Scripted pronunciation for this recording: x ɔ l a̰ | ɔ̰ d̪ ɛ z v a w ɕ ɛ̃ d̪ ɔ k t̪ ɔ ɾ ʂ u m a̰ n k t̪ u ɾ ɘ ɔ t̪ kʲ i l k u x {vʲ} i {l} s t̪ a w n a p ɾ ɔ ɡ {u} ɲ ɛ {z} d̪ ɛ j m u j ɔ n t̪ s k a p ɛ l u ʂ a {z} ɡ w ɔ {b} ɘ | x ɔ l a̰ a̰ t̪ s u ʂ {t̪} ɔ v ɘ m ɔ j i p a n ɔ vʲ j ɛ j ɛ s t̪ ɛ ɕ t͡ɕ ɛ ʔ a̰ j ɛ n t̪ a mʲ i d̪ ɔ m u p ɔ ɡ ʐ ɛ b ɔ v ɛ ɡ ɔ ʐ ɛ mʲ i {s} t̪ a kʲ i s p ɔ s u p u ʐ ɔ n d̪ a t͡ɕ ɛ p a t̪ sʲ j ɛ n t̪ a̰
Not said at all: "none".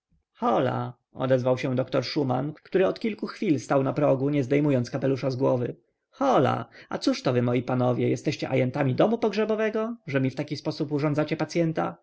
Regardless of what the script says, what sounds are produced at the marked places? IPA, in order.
fʲ, l, u, z, z, v, t̪, f

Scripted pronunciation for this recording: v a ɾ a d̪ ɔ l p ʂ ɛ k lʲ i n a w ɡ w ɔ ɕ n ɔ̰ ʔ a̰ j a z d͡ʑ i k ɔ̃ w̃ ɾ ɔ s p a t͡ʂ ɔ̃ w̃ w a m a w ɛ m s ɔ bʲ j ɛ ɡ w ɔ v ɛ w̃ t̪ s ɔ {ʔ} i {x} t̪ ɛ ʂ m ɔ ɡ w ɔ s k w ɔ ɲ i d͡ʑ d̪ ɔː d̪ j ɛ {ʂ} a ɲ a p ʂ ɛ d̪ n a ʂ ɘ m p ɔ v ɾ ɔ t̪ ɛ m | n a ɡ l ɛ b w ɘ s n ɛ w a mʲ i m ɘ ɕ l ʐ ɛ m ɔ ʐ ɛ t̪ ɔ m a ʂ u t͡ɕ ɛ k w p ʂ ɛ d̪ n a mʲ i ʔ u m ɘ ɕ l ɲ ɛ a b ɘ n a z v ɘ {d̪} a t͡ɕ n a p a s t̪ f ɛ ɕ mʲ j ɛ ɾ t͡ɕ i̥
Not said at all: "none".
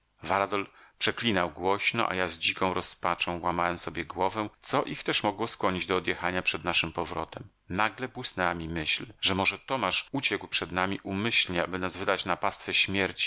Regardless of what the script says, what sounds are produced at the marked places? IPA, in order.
ʔ, x, x, d̪

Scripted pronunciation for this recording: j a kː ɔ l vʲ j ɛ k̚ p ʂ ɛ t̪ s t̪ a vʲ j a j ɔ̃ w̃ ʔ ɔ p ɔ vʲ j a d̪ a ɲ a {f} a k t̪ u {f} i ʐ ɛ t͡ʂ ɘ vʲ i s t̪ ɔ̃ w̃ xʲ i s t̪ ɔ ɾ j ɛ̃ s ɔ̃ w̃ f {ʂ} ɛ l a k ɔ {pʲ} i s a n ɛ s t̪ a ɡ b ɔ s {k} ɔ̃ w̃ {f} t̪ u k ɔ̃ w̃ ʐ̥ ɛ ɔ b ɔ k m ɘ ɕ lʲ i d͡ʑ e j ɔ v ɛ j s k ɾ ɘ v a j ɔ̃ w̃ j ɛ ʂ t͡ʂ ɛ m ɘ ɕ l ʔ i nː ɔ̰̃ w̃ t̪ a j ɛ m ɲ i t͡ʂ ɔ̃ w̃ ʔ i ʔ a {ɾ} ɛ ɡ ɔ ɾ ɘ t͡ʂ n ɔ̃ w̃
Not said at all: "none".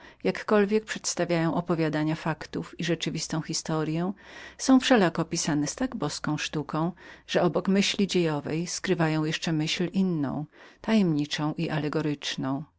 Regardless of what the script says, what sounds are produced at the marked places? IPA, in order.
f, f, ʂ, pʲ, k, ʂ, l

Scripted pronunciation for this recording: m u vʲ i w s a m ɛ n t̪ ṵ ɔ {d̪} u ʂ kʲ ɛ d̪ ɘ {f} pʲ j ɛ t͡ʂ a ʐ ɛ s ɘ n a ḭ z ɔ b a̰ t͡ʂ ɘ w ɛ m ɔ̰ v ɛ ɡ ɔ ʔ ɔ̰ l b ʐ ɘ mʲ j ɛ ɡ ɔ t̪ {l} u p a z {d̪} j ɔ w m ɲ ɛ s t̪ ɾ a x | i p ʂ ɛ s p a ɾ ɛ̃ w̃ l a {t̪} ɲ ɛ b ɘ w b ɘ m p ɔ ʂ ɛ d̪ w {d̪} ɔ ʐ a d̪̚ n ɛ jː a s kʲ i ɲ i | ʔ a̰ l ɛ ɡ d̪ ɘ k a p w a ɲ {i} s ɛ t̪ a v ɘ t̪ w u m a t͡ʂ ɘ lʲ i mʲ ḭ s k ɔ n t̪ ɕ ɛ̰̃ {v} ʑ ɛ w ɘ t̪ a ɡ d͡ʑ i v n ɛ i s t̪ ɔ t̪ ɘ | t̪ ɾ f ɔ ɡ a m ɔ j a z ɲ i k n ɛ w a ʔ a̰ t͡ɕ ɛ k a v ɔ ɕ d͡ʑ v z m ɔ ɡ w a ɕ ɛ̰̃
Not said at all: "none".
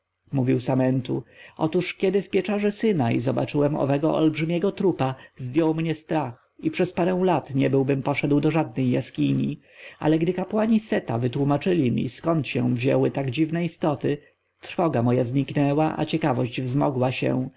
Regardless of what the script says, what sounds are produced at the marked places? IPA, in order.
t̪, f, ɾ, d̪, t̪, d̪, i, v

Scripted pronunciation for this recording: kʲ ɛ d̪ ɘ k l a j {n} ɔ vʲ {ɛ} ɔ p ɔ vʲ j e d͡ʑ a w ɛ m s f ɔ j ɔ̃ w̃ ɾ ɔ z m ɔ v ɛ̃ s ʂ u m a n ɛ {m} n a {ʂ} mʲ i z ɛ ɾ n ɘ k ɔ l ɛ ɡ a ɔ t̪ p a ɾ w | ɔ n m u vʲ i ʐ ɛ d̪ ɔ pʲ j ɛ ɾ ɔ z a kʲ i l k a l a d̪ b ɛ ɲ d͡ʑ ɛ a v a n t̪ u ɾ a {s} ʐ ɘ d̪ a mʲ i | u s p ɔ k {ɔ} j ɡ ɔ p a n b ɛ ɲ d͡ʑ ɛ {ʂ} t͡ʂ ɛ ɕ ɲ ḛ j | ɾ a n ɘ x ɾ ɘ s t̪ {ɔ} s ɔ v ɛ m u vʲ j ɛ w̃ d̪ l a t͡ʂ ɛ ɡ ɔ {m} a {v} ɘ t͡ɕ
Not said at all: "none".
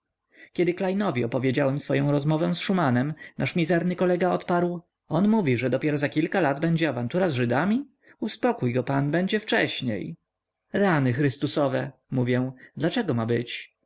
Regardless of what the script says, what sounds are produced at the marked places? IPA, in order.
n, i, m, ʂ, z, u, f, u, m, b

